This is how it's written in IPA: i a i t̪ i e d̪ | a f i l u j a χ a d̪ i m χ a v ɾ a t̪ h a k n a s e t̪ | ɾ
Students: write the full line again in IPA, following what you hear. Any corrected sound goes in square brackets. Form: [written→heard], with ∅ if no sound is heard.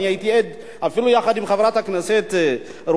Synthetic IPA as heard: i a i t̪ i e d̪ | a f i l u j a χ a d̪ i m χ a v ɾ a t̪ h a k n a s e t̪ | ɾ